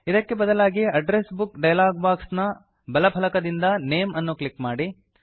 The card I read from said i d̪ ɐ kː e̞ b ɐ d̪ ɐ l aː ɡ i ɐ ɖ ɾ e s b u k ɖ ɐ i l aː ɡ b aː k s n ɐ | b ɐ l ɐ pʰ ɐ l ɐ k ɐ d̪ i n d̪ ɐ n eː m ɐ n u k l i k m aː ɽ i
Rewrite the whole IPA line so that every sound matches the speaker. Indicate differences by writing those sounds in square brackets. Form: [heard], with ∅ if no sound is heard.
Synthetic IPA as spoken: i d̪ ɐ kː e̞ b ɐ d̪ ɐ l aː ɡ i ɐ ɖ ɾ e s b u k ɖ ɐ [j] l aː ɡ b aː k s n ɐ | b ɐ l ɐ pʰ ɐ l ɐ k ɐ d̪ i n d̪ ɐ n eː m ɐ [nː] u k l i k m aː ɽ i